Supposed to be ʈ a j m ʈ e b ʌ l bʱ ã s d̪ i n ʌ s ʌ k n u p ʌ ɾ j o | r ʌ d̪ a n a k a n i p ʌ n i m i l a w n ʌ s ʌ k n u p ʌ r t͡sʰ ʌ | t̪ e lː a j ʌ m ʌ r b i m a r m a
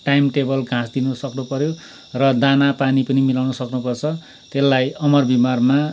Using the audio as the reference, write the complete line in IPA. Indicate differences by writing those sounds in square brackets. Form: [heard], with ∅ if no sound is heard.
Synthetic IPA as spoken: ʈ a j m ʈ e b ʌ l [ɡʱ] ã s d̪ i n ʌ s ʌ k n u p ʌ ɾ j o | r ʌ d̪ a n a [p] a n i p ʌ n i m i l a w n ʌ s ʌ k n u p ʌ r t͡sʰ ʌ | t̪ e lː a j ʌ m ʌ r b i m a r m a

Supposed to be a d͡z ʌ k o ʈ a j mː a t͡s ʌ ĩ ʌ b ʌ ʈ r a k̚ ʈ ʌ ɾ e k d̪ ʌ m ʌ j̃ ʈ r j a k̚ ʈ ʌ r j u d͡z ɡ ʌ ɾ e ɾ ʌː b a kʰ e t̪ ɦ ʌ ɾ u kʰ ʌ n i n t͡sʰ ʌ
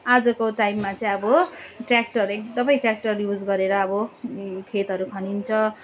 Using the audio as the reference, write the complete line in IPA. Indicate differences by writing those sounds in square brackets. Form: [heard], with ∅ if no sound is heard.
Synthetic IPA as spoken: a d͡z ʌ k o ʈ a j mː a t͡s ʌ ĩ ʌ b ʌ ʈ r a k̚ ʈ ʌ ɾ e k d̪ ʌ m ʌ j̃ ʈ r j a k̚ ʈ ʌ r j u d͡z ɡ ʌ ɾ e ɾ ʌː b [ʌ] kʰ e t̪ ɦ ʌ ɾ u kʰ ʌ n i n t͡sʰ ʌ

